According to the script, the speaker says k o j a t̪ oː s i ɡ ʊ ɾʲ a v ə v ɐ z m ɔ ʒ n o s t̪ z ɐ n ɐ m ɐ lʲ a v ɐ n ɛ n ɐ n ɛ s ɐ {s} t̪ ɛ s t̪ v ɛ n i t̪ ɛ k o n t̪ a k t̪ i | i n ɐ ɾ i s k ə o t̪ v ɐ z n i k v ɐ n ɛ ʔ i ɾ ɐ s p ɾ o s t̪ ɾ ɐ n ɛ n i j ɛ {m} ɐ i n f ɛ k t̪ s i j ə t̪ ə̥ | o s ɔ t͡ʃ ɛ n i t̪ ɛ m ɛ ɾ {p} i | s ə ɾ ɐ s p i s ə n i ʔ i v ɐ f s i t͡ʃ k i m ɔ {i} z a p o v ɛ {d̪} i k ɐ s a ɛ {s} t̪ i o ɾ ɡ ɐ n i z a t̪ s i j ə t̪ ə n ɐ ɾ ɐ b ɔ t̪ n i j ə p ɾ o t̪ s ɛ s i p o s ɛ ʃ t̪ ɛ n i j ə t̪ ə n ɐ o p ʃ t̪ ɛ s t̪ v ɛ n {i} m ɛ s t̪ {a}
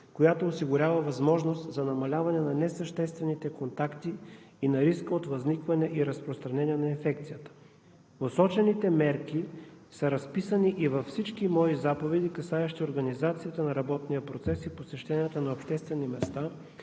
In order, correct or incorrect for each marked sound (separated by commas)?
incorrect, incorrect, incorrect, correct, correct, incorrect, correct, correct